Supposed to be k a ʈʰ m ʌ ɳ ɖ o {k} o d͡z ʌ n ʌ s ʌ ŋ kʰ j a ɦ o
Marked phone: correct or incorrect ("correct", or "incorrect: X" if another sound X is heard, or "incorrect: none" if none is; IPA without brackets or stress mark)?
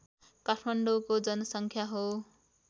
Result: correct